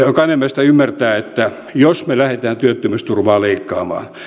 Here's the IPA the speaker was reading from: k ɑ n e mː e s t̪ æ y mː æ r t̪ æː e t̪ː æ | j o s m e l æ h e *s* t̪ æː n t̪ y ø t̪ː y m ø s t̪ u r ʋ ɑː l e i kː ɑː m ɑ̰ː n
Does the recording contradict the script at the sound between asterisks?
yes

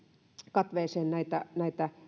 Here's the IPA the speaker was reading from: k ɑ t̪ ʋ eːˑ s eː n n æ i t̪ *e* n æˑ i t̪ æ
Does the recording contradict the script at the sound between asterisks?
yes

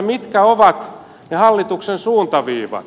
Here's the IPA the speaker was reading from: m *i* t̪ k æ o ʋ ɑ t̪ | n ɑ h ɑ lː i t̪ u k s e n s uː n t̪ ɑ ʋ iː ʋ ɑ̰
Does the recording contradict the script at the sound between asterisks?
no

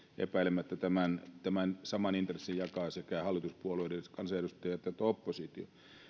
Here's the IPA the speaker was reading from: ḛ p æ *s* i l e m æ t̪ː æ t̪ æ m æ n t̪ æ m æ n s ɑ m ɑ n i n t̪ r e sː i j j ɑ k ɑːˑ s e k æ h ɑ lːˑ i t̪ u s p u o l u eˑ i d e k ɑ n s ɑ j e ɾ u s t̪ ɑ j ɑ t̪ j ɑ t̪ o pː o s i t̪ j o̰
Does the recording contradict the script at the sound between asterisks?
yes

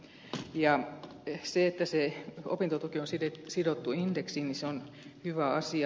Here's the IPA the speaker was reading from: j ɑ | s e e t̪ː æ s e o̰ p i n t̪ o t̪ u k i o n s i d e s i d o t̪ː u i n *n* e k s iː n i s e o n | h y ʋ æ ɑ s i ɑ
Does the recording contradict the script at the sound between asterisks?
yes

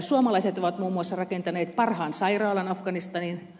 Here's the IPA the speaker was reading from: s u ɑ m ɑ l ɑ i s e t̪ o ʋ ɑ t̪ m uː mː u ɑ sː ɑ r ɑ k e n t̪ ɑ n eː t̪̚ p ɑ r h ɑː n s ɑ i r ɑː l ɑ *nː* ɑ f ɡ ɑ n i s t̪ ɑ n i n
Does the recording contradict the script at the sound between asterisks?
yes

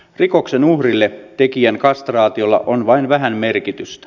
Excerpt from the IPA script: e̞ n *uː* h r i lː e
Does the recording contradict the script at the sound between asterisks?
yes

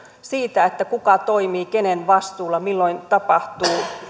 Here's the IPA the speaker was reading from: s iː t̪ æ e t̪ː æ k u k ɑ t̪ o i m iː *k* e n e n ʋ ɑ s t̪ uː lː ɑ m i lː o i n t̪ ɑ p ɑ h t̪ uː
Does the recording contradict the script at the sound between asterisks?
no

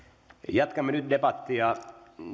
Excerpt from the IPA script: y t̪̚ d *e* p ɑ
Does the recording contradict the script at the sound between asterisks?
no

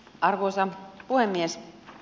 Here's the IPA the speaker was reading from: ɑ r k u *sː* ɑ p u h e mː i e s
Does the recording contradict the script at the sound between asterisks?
yes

